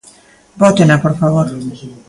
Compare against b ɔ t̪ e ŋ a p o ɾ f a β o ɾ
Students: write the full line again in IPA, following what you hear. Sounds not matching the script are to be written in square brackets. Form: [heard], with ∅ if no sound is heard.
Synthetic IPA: b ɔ t̪ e [n] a p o ɾ f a β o ɾ